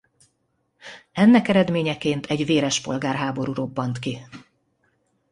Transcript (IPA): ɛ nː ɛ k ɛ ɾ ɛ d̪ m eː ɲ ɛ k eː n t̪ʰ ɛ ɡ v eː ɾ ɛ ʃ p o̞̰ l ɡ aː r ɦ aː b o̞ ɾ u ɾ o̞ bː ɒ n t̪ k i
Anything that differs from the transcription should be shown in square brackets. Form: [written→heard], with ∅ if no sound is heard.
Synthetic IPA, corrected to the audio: ɛ nː ɛ k ɛ ɾ ɛ d̪ m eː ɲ ɛ k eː n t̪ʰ ɛ [ɡ→ɟ] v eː ɾ ɛ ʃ p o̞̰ l ɡ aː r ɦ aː b o̞ ɾ u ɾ o̞ bː ɒ n t̪ k i